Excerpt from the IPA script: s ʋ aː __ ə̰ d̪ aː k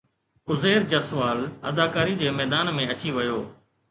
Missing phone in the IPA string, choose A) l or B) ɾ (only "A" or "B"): A